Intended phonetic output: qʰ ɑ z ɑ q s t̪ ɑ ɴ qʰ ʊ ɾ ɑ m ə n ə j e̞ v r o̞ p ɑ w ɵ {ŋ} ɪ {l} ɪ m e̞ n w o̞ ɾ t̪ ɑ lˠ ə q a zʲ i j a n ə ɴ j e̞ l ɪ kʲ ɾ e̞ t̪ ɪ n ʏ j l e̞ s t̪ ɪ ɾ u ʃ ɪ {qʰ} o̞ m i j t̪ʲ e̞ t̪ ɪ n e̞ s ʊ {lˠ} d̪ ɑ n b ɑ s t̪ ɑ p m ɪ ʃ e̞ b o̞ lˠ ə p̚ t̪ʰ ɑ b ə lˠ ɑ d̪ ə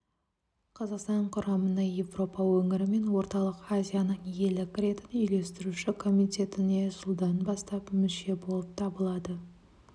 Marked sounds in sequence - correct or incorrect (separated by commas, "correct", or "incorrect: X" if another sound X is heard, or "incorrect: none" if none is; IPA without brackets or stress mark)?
correct, incorrect: ɾ, incorrect: kʰ, correct